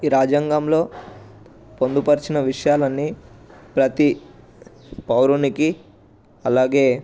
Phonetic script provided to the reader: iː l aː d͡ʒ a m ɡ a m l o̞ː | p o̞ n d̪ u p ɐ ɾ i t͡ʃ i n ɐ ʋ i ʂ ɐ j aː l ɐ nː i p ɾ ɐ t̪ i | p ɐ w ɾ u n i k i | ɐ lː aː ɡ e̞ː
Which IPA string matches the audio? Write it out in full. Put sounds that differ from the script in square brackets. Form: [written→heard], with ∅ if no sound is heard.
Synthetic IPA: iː [l→ɾ] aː d͡ʒ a [m→ŋ] ɡ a m l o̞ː | p o̞ n d̪ u p ɐ ɾ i t͡ʃ i n ɐ ʋ i ʂ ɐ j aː l ɐ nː i p ɾ ɐ t̪ i | p ɐ w ɾ u n i k i | ɐ [lː→l] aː ɡ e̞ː